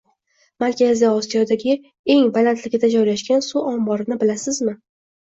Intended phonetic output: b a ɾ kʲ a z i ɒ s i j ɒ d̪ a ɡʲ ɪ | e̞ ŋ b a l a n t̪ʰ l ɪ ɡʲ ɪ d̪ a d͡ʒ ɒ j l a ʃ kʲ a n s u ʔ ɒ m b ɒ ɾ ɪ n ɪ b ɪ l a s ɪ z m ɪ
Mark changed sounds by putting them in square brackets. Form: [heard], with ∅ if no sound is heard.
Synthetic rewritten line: [m] a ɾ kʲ a z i ɒ s i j ɒ d̪ a ɡʲ ɪ | e̞ ŋ b a l a n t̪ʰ l ɪ ɡʲ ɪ d̪ a d͡ʒ ɒ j l a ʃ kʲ a n s u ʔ ɒ m b ɒ ɾ ɪ n ɪ b ɪ l a s ɪ z m ɪ